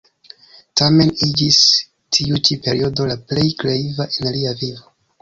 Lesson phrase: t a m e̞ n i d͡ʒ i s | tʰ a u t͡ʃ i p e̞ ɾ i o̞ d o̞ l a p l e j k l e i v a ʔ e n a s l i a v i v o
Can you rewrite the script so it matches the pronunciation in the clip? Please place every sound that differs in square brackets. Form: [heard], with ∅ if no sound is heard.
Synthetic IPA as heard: t a m e̞ n i d͡ʒ i s | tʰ [i] u t͡ʃ i p e̞ ɾ i o̞ d o̞ l a p l e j k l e i v a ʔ e n a [∅] l i a v i v o